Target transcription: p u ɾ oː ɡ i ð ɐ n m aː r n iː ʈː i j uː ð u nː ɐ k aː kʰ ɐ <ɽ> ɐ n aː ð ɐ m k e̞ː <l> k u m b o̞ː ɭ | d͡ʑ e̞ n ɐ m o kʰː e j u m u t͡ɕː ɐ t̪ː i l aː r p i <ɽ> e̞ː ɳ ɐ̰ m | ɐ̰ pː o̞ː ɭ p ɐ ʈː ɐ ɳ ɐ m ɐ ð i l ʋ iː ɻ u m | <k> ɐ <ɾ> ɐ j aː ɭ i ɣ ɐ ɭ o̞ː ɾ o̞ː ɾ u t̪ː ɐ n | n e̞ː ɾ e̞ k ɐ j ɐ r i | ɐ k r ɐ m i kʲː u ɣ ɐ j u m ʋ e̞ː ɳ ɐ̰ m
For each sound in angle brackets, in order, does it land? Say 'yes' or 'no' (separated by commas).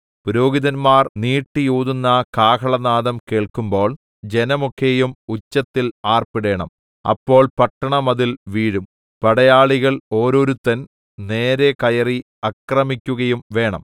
no, no, yes, no, no